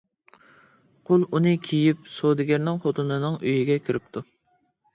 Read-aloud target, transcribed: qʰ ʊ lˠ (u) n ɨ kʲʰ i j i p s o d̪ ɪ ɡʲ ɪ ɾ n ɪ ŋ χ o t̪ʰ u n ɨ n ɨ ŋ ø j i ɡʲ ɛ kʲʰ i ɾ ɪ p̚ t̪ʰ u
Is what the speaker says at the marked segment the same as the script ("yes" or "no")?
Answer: yes